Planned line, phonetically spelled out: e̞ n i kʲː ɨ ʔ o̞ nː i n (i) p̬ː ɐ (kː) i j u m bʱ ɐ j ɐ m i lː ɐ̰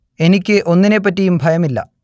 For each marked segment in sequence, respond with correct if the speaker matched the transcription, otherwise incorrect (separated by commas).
incorrect, incorrect